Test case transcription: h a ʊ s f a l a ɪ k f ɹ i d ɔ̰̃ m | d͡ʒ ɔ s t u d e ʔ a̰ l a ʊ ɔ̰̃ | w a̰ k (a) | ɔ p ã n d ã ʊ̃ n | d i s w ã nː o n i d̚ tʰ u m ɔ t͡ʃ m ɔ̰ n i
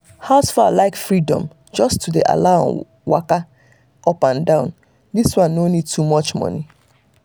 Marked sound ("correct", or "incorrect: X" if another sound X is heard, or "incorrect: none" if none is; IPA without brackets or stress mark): correct